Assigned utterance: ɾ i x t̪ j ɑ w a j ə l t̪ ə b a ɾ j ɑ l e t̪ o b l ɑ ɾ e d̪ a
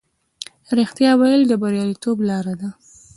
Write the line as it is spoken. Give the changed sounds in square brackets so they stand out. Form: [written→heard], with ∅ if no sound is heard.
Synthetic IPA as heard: ɾ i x t̪ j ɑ w a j ə l [t̪→d̪] ə b a ɾ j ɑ l [e→i] t̪ o b l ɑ ɾ [e→a] d̪ a